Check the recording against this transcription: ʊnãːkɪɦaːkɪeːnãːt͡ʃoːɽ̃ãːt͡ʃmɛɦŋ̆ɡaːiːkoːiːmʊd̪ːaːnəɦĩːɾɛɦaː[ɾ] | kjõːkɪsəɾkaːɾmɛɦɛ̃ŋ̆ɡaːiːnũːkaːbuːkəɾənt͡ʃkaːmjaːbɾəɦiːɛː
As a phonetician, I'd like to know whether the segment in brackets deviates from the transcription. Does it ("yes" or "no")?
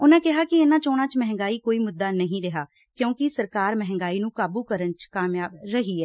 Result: yes